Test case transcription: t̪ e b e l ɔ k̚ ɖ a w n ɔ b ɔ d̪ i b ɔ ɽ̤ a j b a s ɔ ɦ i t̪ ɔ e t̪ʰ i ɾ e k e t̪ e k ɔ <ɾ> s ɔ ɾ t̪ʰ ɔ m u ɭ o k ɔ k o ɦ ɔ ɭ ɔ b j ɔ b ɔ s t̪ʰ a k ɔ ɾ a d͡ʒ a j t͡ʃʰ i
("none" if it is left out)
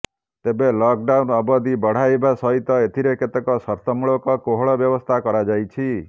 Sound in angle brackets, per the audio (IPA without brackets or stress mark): none